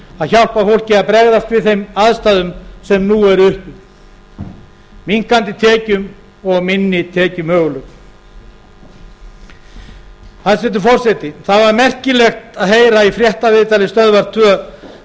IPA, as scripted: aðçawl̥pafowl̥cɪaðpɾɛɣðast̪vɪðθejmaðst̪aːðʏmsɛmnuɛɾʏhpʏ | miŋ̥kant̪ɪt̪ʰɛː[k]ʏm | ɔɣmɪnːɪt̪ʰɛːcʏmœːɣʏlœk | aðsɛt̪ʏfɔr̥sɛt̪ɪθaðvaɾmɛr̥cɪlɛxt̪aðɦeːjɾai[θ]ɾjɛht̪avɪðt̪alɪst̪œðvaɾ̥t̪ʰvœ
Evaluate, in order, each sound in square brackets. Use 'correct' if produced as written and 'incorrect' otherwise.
incorrect, incorrect

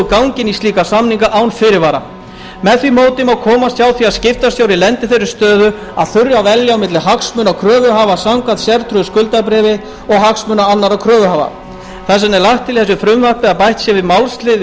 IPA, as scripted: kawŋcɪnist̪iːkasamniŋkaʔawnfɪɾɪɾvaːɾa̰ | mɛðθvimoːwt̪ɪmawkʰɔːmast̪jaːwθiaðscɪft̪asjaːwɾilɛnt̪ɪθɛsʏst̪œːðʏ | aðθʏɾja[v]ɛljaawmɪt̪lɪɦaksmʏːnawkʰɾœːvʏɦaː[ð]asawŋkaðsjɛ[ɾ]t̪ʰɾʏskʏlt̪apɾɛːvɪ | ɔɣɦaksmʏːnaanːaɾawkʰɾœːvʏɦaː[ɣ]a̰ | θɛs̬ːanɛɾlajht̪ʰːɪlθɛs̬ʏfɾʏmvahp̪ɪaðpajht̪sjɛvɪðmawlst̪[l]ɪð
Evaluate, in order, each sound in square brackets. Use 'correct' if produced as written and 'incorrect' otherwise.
correct, incorrect, correct, incorrect, correct

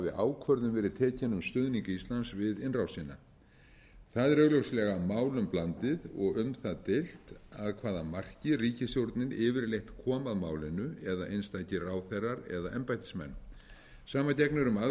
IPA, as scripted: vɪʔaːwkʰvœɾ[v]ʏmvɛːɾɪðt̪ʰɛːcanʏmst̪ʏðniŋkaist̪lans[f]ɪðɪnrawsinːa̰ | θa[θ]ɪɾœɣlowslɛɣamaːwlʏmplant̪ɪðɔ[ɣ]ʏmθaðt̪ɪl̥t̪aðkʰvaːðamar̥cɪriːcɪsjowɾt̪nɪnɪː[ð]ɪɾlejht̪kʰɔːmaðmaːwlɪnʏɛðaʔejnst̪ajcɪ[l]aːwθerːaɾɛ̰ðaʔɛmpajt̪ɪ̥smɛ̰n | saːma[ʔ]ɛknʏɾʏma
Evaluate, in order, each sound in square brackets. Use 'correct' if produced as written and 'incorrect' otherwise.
incorrect, incorrect, incorrect, correct, incorrect, incorrect, incorrect

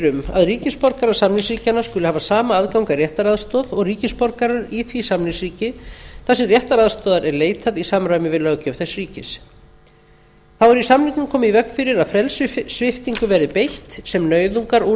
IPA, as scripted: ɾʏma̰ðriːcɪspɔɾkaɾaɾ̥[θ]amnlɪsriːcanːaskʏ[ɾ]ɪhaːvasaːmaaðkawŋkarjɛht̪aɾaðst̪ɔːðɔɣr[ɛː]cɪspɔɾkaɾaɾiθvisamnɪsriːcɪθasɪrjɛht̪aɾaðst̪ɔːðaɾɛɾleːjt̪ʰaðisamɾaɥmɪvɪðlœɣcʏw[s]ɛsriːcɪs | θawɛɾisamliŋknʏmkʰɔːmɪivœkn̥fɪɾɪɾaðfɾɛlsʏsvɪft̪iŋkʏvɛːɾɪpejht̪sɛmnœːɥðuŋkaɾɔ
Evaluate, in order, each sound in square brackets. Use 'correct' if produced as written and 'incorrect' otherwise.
incorrect, incorrect, incorrect, incorrect

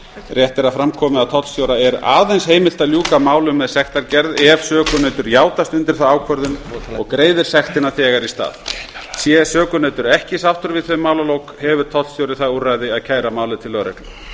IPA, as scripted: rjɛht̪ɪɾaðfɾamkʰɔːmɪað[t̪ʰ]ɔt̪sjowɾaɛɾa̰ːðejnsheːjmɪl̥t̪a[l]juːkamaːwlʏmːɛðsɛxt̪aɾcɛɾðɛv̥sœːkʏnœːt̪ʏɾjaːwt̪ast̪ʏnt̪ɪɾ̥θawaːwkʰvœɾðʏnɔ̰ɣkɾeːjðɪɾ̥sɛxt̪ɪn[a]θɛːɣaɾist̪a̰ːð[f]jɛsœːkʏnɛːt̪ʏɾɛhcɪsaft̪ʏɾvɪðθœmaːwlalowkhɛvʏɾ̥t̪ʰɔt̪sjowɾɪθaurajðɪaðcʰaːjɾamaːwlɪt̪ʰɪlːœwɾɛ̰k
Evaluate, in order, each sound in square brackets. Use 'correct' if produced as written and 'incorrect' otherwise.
correct, correct, correct, incorrect

